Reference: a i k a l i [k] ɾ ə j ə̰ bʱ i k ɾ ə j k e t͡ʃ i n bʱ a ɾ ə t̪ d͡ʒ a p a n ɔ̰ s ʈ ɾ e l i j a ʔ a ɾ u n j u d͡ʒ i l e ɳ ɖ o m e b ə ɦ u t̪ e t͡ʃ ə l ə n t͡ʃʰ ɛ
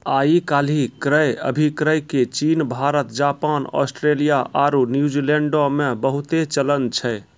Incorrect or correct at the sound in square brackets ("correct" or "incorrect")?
correct